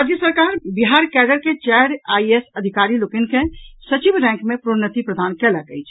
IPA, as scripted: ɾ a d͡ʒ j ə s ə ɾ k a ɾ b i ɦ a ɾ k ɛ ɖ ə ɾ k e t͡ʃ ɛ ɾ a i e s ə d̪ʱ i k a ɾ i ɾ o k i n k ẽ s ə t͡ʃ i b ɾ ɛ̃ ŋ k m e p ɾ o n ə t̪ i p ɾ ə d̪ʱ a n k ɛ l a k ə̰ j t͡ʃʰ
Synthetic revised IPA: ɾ a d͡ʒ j ə s ə ɾ k a ɾ b i ɦ a ɾ k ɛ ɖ ə ɾ k e t͡ʃ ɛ ɾ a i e s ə d̪ʱ i k a ɾ i l o k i n k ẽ s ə t͡ʃ i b ɾ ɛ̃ ŋ k m e p ɾ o n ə t̪ i p ɾ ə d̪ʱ a n k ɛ l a k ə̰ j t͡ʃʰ